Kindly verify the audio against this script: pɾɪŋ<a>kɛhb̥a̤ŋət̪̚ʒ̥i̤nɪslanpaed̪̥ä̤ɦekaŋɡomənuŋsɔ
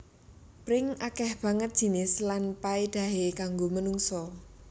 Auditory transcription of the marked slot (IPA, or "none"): a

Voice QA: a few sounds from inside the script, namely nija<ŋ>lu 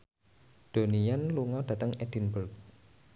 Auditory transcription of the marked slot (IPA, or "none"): n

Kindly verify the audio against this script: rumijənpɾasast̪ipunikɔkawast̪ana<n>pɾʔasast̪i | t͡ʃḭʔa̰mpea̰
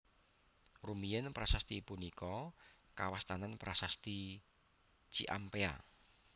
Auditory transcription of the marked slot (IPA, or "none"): n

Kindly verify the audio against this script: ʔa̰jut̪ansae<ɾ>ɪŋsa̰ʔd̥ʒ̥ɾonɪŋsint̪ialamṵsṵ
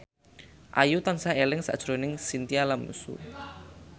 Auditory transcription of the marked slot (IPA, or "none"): l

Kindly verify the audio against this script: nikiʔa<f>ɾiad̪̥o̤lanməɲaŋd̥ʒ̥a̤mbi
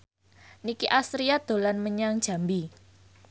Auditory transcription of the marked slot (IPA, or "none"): s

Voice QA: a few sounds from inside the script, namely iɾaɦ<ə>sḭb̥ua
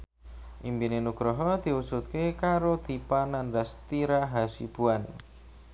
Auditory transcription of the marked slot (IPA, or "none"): a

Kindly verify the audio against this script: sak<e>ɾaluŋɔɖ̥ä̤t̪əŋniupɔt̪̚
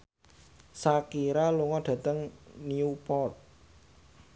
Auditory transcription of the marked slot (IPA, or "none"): i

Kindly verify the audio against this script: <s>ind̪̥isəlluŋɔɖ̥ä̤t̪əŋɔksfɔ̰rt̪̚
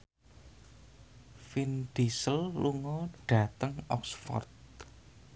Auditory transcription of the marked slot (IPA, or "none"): f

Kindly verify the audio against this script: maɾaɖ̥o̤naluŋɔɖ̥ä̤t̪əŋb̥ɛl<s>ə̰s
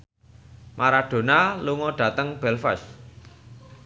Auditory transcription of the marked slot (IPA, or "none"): f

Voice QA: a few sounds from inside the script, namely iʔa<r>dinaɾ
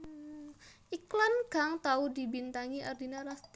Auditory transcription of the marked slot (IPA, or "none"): r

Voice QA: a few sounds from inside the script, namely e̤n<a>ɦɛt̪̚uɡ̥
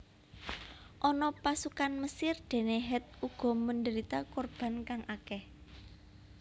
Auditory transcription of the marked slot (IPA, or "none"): e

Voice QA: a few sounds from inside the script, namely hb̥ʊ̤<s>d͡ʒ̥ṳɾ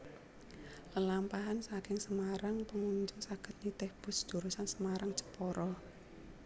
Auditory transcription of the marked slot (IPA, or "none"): s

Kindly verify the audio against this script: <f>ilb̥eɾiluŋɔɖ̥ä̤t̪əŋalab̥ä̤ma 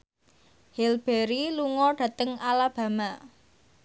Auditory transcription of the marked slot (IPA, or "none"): h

